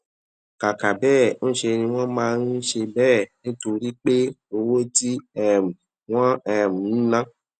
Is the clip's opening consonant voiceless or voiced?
voiceless